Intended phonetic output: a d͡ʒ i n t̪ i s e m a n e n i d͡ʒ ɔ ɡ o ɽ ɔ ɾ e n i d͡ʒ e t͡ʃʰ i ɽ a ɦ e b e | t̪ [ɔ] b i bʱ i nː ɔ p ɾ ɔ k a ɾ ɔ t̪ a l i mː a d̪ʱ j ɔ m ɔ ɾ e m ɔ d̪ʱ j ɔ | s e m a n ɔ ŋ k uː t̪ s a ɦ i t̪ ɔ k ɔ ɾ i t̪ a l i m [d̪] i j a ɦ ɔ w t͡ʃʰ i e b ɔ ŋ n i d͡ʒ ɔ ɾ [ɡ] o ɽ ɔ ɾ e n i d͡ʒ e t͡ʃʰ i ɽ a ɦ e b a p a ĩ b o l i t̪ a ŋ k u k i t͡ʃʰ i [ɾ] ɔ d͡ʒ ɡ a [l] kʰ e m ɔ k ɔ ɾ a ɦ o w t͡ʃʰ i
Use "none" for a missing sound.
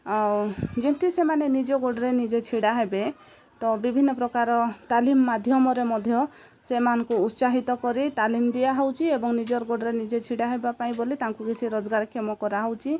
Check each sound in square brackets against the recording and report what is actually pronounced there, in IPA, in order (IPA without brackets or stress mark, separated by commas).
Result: ɔ, d̪, ɡ, ɾ, ɾ